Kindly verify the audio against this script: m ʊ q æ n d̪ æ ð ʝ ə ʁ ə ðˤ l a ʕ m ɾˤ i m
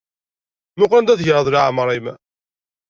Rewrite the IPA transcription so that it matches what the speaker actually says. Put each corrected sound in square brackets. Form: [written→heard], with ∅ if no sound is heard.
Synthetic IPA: m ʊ q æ n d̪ æ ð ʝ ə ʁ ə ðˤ l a ʕ m ɾˤ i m